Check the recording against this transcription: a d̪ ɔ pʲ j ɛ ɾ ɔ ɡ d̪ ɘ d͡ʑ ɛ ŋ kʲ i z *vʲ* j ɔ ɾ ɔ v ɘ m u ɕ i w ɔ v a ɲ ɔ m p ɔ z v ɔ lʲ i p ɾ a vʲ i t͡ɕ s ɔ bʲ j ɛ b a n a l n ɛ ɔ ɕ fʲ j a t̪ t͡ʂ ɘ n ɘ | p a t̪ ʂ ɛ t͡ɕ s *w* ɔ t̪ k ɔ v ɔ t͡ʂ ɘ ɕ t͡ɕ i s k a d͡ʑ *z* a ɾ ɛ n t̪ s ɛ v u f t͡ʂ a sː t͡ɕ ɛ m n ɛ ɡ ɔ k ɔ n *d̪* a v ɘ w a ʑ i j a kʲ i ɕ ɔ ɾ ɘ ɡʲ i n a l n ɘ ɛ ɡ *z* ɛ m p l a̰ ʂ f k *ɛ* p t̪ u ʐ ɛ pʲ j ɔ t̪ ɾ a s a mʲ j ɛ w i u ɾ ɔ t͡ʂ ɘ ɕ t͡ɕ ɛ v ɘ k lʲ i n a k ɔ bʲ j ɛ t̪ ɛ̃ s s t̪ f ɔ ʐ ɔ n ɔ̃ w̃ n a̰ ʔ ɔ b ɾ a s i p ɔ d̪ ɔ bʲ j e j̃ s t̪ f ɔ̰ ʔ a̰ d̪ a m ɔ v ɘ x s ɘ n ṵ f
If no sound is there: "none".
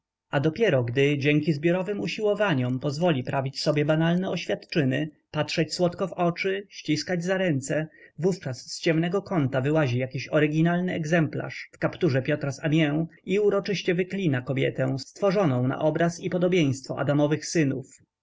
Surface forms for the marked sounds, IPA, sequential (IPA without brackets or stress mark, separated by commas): bʲ, w, z, t̪, z, a